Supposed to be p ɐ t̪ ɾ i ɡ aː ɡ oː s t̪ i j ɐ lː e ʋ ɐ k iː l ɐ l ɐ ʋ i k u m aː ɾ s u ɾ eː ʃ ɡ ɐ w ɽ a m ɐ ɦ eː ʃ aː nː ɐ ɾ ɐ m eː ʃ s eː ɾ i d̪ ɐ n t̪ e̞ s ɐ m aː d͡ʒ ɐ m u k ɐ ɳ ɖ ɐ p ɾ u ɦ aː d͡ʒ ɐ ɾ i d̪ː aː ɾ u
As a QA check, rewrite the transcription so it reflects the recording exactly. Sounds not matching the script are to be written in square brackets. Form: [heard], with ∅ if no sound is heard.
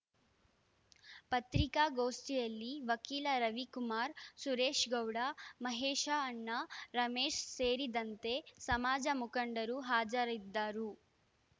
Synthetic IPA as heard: p ɐ t̪ ɾ i [k] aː ɡ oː s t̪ i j ɐ lː [i] ʋ ɐ k iː l ɐ [ɾ] ɐ ʋ i k u m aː ɾ s u ɾ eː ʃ ɡ ɐ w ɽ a m ɐ ɦ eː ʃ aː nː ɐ ɾ ɐ m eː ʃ s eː ɾ i d̪ ɐ n t̪ e̞ s ɐ m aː d͡ʒ ɐ m u k ɐ ɳ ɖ ɐ [∅] ɾ u ɦ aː d͡ʒ ɐ ɾ i d̪ː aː ɾ u